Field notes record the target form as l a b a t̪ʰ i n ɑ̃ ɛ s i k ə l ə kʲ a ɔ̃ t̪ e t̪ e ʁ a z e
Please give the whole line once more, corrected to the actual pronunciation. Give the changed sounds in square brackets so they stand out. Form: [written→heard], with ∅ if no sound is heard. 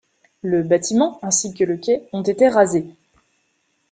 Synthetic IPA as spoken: l [a→ə] b a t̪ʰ i [n→m] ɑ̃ [ɛ→ɛ̃] s i k ə l ə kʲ [a→ɛ] ɔ̃ t̪ e t̪ e ʁ a z e